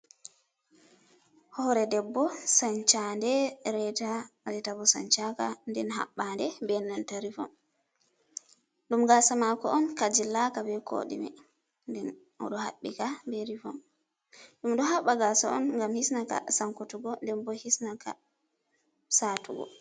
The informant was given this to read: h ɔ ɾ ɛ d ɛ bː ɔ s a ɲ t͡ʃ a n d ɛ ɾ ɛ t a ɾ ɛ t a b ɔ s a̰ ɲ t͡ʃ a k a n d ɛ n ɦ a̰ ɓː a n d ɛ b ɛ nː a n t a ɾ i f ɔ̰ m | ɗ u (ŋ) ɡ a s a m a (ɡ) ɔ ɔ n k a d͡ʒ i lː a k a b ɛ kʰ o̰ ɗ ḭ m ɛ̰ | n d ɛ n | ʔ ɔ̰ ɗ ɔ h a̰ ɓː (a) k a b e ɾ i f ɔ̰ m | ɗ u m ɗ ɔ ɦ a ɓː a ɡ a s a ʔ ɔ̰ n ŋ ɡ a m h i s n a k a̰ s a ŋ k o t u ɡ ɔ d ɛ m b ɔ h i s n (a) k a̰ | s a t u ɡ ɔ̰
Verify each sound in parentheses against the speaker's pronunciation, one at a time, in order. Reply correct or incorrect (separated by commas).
incorrect, incorrect, incorrect, correct